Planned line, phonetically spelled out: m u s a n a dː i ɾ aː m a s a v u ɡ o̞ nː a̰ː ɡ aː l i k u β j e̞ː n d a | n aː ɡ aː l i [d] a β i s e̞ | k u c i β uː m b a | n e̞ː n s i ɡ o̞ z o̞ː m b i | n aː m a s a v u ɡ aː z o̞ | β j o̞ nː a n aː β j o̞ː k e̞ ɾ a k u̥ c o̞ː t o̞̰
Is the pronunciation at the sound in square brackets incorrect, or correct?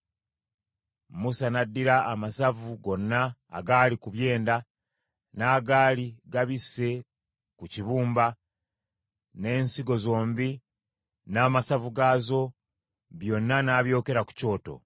incorrect